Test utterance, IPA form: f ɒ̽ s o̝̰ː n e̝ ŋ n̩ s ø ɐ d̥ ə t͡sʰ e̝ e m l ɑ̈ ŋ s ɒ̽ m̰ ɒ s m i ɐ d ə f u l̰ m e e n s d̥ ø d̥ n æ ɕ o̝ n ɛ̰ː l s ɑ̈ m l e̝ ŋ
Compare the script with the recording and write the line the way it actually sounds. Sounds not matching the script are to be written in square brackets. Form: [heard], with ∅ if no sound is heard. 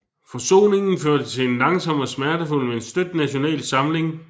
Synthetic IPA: f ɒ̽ s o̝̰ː n e̝ ŋ n̩ [f] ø ɐ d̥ ə t͡sʰ e̝ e [n] l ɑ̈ ŋ s ɒ̽ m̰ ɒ s m [æ] ɐ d ə f u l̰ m e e n s d̥ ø d̥ n æ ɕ o̝ n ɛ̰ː l s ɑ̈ m l e̝ ŋ

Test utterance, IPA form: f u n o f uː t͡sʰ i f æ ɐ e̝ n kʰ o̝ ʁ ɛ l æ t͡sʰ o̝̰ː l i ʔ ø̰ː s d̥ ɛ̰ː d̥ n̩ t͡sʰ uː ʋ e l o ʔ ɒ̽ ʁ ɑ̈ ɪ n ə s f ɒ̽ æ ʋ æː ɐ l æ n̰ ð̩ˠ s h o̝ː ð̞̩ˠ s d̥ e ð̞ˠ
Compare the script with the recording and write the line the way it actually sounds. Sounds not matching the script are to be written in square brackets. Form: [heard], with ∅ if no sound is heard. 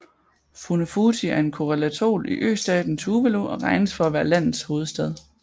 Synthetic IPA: f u n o f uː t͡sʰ i [∅] æ ɐ e̝ n kʰ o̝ ʁ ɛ l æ t͡sʰ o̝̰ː l i ʔ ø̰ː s d̥ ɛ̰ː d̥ n̩ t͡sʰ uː ʋ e l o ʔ ɒ̽ ʁ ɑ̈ ɪ n ə s f ɒ̽ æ ʋ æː ɐ l æ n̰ ð̩ˠ s h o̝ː ð̞̩ˠ s d̥ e ð̞ˠ

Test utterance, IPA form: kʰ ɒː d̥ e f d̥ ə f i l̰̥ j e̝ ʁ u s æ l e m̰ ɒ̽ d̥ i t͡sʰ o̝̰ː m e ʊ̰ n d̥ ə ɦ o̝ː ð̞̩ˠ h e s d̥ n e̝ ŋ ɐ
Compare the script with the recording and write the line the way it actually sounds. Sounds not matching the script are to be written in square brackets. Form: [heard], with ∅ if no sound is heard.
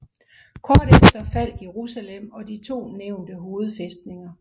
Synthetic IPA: kʰ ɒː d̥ e f d̥ [ɐ] f [æ] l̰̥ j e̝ ʁ u s æ l e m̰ ɒ̽ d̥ i t͡sʰ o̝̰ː [n] e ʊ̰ n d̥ ə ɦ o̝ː ð̞̩ˠ [f] e s d̥ n e̝ ŋ ɐ

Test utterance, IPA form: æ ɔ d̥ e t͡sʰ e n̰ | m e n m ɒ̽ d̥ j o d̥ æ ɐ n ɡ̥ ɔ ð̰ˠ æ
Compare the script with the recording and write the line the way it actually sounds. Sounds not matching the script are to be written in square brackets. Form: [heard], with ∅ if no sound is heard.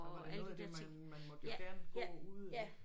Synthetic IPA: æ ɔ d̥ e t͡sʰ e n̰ | m [æ] n m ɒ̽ d̥ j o [ɡ̥] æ ɐ n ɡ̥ [u] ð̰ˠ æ

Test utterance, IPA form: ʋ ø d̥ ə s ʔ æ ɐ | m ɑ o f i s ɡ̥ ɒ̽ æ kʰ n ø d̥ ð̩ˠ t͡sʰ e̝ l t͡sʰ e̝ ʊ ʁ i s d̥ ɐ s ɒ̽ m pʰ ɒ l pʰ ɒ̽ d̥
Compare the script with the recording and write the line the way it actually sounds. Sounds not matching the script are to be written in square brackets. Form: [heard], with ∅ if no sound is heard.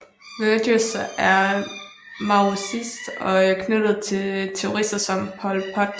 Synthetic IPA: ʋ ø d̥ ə s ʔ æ ɐ | m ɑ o [s] i s [d̥] ɒ̽ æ kʰ n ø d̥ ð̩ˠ t͡sʰ e̝ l t͡sʰ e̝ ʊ ʁ i s d̥ ɐ s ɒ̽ m pʰ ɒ l pʰ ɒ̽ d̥

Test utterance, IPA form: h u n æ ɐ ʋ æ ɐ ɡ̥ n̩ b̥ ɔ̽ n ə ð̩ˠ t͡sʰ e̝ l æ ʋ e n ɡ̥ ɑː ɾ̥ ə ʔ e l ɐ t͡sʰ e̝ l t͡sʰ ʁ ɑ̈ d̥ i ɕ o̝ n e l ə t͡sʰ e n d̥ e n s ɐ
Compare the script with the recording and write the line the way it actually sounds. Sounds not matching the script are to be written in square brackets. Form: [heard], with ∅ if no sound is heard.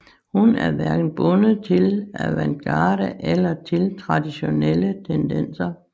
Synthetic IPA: h u n æ ɐ ʋ æ ɐ ɡ̥ n̩ b̥ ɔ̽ n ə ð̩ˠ t͡sʰ e̝ l æ ʋ [æ] n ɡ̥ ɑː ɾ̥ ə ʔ e l ɐ t͡sʰ e̝ l t͡sʰ ʁ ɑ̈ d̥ i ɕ o̝ n e l ə t͡sʰ e n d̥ e n s ɐ

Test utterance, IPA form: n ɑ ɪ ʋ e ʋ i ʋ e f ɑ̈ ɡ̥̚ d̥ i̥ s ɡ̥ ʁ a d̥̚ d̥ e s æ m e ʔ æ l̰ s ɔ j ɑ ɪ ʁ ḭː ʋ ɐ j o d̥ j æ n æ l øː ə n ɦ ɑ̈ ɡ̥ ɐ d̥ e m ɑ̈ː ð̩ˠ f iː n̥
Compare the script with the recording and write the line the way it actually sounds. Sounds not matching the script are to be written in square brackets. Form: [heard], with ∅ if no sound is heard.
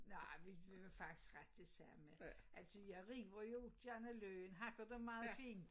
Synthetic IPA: n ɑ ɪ ʋ [i] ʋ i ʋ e f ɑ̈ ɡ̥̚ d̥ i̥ s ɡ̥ ʁ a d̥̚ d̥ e s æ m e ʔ æ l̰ s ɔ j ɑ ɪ ʁ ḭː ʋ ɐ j o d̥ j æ n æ l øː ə n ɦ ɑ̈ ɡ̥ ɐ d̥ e m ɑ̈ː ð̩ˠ f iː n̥

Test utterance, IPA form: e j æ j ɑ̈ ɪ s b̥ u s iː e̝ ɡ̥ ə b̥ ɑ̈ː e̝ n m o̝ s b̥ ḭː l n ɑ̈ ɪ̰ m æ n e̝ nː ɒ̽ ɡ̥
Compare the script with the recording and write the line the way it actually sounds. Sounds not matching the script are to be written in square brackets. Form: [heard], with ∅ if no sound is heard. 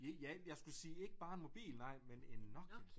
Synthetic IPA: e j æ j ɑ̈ ɪ s [ɡ̥] u s iː e̝ ɡ̥ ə b̥ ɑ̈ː e̝ n m o̝ [∅] b̥ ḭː l n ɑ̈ ɪ̰ m [e] n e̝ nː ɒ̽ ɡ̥

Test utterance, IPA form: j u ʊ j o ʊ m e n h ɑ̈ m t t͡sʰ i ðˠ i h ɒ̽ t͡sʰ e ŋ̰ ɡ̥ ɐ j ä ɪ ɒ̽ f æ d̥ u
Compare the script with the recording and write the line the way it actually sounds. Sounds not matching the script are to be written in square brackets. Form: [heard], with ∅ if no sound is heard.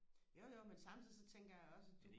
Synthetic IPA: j [o] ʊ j o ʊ m e n [s] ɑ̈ m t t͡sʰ i ðˠ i [s] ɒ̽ t͡sʰ e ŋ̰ ɡ̥ ɐ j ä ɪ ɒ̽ [s] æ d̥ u

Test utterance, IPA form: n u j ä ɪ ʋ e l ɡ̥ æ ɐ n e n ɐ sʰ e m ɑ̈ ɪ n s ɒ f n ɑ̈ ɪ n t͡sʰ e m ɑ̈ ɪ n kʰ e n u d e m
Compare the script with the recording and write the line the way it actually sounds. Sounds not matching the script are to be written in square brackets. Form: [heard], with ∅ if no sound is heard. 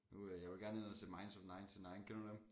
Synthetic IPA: n u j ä ɪ ʋ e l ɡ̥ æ ɐ n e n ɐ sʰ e m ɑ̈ ɪ n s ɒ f n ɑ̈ ɪ n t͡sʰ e [n] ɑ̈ ɪ n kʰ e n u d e m

